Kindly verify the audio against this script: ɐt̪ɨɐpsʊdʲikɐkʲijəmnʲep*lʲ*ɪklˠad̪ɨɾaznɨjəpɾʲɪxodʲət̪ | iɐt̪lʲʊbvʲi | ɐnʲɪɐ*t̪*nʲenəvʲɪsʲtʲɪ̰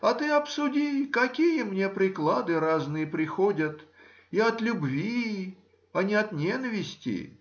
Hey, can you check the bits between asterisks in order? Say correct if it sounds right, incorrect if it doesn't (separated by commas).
incorrect, correct